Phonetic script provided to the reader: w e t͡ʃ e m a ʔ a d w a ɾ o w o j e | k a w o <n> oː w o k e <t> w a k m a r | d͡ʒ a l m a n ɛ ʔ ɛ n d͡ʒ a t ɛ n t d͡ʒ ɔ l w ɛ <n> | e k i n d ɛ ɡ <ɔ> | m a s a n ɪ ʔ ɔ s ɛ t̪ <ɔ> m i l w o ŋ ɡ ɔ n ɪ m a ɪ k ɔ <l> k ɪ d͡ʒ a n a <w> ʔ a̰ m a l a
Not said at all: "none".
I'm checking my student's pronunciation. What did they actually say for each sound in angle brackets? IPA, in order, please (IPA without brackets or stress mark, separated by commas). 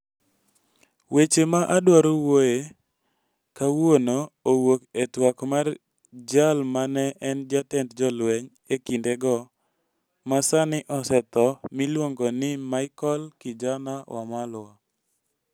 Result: n, t, ɲ, ɔ, ɔ, l, w